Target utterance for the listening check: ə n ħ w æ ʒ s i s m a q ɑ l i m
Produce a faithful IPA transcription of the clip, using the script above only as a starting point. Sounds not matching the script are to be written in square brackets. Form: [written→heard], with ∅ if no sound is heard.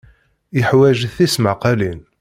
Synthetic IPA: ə [n→∅] ħ w æ ʒ [s→θ] i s m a q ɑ l i [m→n]